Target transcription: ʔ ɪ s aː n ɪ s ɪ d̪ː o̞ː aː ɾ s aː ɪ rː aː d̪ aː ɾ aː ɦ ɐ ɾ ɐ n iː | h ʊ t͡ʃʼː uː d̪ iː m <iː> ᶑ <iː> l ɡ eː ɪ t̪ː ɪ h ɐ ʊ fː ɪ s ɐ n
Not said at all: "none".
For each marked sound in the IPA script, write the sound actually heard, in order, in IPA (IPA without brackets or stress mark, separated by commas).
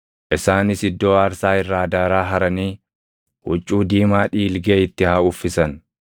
aː, iː